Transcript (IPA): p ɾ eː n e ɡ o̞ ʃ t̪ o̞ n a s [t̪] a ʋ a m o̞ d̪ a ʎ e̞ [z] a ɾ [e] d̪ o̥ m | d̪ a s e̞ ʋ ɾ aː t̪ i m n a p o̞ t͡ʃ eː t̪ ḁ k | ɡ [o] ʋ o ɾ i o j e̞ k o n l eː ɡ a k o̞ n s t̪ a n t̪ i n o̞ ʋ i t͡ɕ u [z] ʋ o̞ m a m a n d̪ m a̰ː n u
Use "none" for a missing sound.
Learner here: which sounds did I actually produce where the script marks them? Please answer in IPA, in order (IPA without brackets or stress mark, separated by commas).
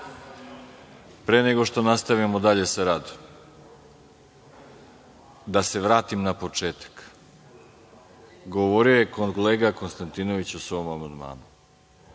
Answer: t̪, s, a, o, s